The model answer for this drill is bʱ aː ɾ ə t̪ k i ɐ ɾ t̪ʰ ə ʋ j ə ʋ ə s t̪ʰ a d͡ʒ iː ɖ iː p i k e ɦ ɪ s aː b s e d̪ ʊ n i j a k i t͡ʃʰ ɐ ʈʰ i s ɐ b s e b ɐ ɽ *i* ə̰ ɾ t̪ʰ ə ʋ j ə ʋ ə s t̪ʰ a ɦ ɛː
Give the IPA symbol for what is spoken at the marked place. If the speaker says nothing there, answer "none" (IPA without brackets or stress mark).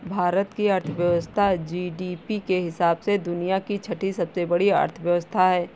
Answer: i